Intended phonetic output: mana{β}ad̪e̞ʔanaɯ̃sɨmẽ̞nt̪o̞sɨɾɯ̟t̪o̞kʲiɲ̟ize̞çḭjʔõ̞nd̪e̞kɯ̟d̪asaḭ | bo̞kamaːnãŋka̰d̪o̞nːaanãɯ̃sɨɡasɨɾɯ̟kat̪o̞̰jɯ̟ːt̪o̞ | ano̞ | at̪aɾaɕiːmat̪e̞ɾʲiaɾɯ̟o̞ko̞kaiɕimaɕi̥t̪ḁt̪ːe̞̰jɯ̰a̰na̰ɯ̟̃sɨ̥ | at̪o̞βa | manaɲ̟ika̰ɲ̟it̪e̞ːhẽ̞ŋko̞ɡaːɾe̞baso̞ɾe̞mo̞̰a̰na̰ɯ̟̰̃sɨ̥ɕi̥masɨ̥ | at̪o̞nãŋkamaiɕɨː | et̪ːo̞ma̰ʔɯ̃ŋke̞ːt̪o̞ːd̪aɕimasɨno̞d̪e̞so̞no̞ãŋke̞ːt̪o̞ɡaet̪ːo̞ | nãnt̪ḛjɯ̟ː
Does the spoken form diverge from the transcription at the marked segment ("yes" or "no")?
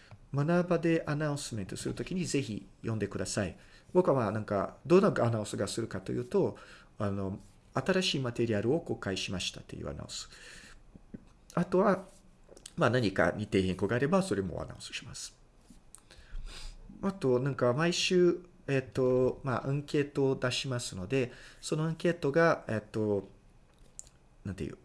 yes